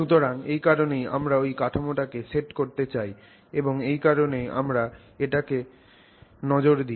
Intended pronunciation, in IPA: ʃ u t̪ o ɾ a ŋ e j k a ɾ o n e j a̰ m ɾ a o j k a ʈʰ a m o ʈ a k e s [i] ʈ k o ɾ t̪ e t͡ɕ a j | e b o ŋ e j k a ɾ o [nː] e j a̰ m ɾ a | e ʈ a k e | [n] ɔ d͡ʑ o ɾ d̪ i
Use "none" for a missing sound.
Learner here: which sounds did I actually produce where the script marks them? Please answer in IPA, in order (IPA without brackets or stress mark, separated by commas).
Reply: e, n, n